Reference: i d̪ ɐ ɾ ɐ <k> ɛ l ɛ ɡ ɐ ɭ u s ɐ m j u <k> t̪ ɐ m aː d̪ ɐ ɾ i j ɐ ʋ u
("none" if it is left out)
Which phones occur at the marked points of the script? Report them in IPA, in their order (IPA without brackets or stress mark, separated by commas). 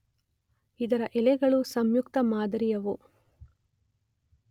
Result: ʔ, k